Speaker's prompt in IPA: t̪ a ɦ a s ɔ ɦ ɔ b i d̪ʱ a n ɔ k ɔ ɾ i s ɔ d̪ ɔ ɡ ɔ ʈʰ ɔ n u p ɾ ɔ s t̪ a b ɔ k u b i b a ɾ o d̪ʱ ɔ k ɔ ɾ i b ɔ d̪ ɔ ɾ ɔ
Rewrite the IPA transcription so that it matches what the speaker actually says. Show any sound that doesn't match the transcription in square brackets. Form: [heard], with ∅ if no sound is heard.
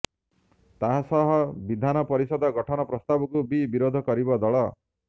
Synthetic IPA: t̪ a ɦ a s ɔ ɦ ɔ b i d̪ʱ a n ɔ [p] ɔ ɾ i s ɔ d̪ ɔ ɡ ɔ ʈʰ ɔ n [ɔ] p ɾ ɔ s t̪ a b ɔ k u b i b [i] ɾ o d̪ʱ ɔ k ɔ ɾ i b ɔ d̪ ɔ [ɭ] ɔ